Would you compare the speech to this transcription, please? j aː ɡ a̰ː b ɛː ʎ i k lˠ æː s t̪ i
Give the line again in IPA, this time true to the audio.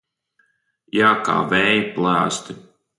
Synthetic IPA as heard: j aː k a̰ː v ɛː j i p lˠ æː s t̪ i